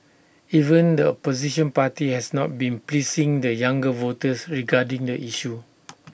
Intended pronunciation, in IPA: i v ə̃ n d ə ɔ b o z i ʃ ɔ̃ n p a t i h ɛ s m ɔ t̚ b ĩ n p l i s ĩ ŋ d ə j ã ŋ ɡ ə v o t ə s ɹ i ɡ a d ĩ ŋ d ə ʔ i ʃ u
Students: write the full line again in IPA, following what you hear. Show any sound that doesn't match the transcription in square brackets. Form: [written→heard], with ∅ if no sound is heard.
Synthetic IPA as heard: i v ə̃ n d ə ɔ [b→p] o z i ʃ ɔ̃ n p a t i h ɛ s [m→n] ɔ t̚ b ĩ n p l i s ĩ ŋ d ə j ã ŋ ɡ ə v o t ə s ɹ i ɡ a d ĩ ŋ d ə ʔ i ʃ u

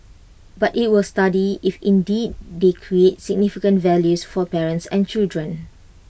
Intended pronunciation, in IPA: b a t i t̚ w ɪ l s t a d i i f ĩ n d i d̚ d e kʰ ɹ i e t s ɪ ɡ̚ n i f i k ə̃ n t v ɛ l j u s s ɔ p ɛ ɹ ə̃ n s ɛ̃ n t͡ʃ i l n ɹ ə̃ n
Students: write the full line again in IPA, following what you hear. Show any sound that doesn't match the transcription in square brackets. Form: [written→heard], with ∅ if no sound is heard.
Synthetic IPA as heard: b a t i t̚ w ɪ l s t a d i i f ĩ n d i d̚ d e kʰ ɹ i e t s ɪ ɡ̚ n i f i k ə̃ n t v ɛ l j u s [s→f] ɔ p ɛ ɹ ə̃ n s ɛ̃ n t͡ʃ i l [n→d] ɹ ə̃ n

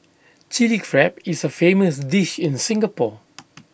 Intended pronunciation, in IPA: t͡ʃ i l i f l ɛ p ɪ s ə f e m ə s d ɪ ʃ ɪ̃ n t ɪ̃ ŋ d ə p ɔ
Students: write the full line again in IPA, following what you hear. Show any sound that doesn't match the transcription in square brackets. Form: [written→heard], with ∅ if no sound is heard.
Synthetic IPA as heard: t͡ʃ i l i f [l→ɹ] ɛ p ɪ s ə f e m ə s d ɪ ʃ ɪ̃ n [t→s] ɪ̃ ŋ [d→ɡ] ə p ɔ

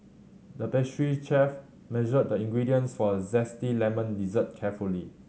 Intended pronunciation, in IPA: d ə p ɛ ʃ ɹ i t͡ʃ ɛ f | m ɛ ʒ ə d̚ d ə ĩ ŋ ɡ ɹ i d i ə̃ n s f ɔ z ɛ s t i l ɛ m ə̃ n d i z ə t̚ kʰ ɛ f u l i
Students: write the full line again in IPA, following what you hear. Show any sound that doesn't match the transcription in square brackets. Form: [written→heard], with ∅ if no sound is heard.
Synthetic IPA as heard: d ə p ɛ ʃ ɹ i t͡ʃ ɛ f | m ɛ ʒ ə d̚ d ə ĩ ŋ ɡ ɹ i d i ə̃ n s f ɔ z ɛ s t i l ɛ m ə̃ n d i z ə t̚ kʰ ɛ f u l i

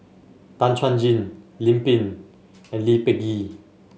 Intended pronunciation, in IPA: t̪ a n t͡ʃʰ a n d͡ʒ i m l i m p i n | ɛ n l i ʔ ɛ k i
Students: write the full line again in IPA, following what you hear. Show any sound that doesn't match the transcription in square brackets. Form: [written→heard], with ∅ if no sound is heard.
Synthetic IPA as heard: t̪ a n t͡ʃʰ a n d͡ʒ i [m→n] l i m p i n | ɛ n l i [ʔ→p] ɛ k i

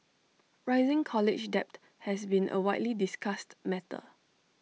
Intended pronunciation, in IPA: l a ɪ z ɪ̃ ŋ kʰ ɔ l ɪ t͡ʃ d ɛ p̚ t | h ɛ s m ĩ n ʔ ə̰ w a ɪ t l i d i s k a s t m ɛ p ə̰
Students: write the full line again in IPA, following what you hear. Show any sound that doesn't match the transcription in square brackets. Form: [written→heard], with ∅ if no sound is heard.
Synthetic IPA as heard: [l→ɹ] a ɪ z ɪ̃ ŋ kʰ ɔ l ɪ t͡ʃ d ɛ p̚ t | h ɛ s [m→b] ĩ n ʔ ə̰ w a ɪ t l i d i s k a s t m ɛ [p→t] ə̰

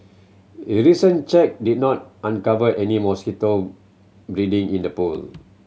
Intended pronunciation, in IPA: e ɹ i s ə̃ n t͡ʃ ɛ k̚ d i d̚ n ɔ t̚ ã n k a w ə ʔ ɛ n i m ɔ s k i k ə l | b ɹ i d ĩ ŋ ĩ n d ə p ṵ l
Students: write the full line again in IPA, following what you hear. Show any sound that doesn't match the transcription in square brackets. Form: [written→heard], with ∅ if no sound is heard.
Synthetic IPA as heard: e ɹ i s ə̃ n t͡ʃ ɛ k̚ d i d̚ n ɔ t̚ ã n k a [w→v] ə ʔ ɛ n i m ɔ s k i [k→t] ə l | b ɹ i d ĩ ŋ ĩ n d ə p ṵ l

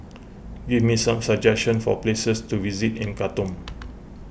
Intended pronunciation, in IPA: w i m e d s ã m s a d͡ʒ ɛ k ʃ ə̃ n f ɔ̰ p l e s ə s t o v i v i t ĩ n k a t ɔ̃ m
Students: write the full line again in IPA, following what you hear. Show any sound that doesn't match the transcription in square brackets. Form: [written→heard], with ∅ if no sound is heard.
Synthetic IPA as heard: w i m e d s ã m s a d͡ʒ ɛ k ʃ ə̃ n f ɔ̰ p l e s ə s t [o→u] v i [v→z] i t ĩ n k a t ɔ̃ m

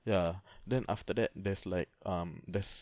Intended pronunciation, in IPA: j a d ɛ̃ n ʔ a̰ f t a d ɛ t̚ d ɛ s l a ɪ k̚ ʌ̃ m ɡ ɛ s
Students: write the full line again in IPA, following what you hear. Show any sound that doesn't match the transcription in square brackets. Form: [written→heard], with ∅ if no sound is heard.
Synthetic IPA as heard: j a d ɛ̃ n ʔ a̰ f t [a→ə] d ɛ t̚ d ɛ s l a ɪ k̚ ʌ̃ m [ɡ→d] ɛ s

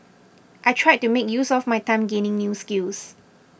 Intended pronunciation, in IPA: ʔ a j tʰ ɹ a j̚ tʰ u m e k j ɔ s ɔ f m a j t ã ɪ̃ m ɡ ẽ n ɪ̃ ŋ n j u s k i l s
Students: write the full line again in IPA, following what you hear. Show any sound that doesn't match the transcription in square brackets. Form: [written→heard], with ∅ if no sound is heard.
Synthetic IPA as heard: ʔ a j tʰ ɹ a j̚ [tʰ→t] u m e k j [ɔ→u] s ɔ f m a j t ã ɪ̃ m ɡ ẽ n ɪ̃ ŋ n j u s k i l s

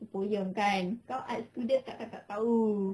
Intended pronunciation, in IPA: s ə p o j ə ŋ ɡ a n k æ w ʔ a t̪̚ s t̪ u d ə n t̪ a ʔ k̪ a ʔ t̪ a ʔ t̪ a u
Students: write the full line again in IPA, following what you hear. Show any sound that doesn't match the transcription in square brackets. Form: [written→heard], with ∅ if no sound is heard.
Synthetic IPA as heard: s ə p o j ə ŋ [ɡ→k] a n k [æ→a] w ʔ a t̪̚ s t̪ u d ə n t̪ a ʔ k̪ a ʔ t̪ a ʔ t̪ a u

